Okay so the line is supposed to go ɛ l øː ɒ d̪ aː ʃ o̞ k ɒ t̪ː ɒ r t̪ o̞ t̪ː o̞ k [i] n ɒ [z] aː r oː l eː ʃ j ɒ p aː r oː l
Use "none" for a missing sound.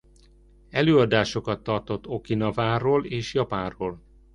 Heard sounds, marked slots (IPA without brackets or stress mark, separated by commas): i, v